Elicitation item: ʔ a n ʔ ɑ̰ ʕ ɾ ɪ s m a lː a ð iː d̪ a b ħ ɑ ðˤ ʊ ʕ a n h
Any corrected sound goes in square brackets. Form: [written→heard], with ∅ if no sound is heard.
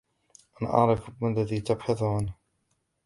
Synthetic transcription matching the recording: ʔ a n ʔ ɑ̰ ʕ ɾ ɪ [s→f] m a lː a ð iː [d̪→t̪] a b ħ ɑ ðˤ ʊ ʕ a n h